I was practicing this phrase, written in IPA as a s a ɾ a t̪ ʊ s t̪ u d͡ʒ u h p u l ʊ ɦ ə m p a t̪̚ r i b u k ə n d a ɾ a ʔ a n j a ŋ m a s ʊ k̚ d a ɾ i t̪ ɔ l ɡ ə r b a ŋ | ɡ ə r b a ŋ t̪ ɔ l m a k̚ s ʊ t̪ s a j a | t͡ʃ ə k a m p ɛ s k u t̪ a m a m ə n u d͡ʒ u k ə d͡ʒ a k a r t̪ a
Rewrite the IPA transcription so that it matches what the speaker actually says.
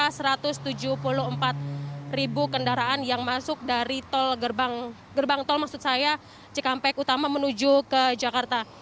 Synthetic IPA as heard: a s ə ɾ a t̪ ʊ s t̪ u d͡ʒ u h p u l ʊ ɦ ə m p a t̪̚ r i b u k ə n d a ɾ a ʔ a n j a ŋ m a s ʊ k̚ d a ɾ i t̪ ɔ l ɡ ə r b a ŋ | ɡ ə r b a ŋ t̪ ɔ l m a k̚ s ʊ t̪ s a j a | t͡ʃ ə k a m p ɛ k u t̪ a m a m ə n u d͡ʒ u k ə d͡ʒ a k a r t̪ a